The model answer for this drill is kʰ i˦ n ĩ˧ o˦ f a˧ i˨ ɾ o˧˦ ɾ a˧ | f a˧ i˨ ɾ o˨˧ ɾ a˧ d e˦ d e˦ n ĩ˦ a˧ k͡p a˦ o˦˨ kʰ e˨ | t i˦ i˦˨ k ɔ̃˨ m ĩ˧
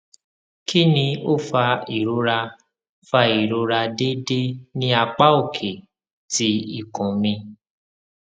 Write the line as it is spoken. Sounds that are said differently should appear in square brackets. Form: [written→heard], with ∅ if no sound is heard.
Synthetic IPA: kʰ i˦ n ĩ˧ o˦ f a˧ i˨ ɾ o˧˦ ɾ a˧ | f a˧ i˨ ɾ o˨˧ ɾ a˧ d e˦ d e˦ n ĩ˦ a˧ k͡p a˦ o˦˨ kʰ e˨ | t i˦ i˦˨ k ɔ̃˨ m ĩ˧